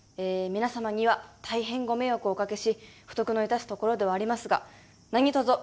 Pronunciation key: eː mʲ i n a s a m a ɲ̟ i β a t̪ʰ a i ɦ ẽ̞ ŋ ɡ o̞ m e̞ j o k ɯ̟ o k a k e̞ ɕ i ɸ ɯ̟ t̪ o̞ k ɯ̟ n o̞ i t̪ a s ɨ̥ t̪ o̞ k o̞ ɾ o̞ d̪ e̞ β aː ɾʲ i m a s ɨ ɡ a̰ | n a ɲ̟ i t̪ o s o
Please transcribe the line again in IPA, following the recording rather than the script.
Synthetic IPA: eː mʲ i n a s a m a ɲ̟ i β a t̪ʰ a i ɦ ẽ̞ ŋ ɡ o̞ m e̞ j o k ɯ̟ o k a k e̞ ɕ i ɸ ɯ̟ t̪ o̞ k ɯ̟ n o̞ i t̪ a s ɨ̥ t̪ o̞ k o̞ ɾ o̞ d̪ e̞ β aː ɾʲ i m a s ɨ ɡ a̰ | n a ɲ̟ i t̪ o z o